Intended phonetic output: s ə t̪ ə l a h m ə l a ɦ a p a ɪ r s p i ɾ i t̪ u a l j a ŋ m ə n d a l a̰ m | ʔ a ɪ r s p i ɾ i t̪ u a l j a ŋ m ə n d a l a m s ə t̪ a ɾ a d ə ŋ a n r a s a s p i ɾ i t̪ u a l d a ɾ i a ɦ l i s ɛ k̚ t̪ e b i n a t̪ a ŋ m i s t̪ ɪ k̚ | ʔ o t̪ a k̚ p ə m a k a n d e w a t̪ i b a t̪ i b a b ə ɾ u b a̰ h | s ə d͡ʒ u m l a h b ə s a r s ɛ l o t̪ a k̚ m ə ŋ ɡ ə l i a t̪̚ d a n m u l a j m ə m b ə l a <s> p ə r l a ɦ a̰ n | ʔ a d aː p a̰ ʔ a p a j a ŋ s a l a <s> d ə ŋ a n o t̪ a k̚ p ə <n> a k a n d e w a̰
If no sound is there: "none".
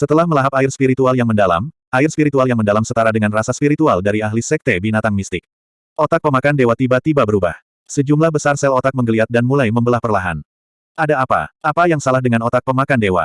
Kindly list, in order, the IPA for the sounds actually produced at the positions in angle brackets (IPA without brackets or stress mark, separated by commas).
h, h, m